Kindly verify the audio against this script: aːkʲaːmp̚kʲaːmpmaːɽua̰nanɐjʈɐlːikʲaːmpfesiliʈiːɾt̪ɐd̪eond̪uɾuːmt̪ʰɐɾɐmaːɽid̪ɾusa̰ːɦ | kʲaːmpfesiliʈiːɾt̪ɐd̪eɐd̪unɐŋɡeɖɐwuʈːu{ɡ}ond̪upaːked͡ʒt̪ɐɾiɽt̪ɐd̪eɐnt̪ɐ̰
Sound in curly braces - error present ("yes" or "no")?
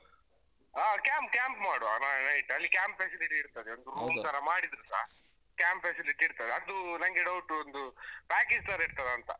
yes